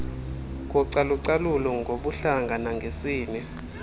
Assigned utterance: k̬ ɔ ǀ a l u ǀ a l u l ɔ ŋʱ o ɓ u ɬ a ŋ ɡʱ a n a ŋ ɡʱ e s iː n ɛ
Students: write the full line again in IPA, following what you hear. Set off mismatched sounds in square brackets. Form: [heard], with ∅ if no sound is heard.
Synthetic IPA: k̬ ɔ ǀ a l u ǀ a l u l ɔ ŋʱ o ɓ u ɬ a ŋ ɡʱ a n a ŋ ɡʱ e s iː n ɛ

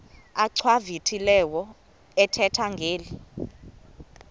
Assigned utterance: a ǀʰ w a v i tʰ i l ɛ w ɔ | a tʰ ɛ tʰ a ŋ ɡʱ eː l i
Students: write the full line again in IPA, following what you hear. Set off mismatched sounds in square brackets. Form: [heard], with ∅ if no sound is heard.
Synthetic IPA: a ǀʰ w a v i tʰ i l ɛ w ɔ | [ɛ] tʰ ɛ tʰ a ŋ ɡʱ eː l i

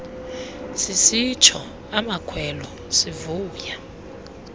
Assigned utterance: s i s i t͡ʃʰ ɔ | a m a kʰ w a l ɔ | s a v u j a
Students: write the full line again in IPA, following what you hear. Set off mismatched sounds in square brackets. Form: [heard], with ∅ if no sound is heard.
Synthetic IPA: s i s i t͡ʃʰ ɔ | a m a kʰ w [ɛ] l ɔ | s [i] v [uː] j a

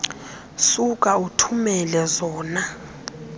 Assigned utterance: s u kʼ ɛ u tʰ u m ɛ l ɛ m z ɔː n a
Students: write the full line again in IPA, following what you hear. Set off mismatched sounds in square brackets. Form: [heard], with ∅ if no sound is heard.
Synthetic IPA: s u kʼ [a] u tʰ u m ɛ l ɛ [∅] z ɔː n a

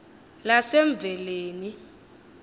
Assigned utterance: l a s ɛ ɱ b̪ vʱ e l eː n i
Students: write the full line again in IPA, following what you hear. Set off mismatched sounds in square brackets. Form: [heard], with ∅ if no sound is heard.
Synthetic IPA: l a s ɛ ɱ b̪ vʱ [ɛ] l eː n i

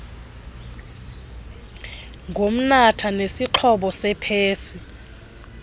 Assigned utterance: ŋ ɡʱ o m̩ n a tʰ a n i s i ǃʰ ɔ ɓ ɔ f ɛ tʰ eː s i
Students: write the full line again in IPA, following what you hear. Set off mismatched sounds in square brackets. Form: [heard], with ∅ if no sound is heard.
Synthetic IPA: ŋ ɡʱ o m̩ n a tʰ a n [e] s i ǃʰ ɔ ɓ ɔ [s] ɛ [pʰ] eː s i

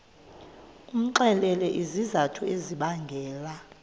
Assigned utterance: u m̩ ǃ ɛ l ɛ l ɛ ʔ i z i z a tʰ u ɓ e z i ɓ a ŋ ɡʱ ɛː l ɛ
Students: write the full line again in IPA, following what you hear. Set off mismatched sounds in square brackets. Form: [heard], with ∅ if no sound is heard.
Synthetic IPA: u m̩ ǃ ɛ l ɛ l ɛ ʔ i z i z a tʰ u [∅] e z i ɓ a ŋ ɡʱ ɛː l [a]

